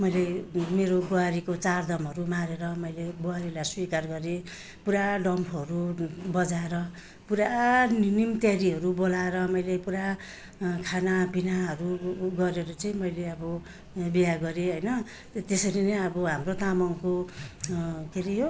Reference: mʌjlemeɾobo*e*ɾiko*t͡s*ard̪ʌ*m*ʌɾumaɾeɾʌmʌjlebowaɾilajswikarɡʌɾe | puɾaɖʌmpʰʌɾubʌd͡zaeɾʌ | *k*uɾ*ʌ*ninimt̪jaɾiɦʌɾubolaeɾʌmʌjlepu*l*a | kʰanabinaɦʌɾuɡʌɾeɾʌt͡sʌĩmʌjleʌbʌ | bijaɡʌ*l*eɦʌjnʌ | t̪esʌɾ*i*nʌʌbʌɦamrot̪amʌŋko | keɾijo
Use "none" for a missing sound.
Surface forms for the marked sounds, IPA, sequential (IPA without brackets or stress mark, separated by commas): a, t͡s, m, p, a, ɾ, ɾ, i